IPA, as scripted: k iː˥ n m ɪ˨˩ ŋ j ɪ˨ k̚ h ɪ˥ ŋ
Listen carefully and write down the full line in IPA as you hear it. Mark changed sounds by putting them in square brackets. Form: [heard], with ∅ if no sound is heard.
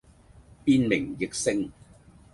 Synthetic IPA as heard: [p] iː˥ n m ɪ˨˩ ŋ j ɪ˨ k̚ [s] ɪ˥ ŋ